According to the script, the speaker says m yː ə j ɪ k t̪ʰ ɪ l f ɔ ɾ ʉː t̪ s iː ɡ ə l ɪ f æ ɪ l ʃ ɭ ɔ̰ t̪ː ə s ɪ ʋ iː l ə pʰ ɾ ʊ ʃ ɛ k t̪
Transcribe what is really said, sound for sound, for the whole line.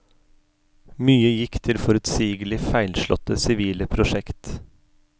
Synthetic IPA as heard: m yː ə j ɪ k t̪ʰ ɪ l f ɔ ɾ ʉ t̪ s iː ɡ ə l ɪ f æ ɪ l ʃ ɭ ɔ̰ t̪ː ə s ɪ ʋ iː l ə pʰ ɾ ʊ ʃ ɛ k t̪